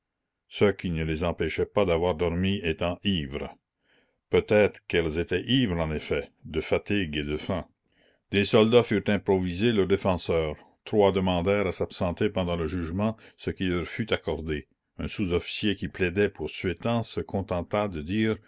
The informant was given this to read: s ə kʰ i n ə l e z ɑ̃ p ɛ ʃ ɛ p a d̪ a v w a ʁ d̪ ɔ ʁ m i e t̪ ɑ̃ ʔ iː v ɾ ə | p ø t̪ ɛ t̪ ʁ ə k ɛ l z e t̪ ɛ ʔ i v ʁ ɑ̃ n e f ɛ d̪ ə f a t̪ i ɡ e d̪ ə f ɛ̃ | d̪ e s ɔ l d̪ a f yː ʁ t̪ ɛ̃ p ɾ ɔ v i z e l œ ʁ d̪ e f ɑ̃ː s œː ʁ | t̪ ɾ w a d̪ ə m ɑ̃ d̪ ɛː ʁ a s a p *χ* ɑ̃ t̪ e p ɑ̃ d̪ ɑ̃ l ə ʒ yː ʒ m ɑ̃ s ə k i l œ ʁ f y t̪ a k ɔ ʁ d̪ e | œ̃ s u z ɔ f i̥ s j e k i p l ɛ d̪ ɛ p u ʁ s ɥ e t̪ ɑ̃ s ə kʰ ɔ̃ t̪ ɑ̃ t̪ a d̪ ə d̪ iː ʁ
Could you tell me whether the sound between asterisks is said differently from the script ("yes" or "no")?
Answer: yes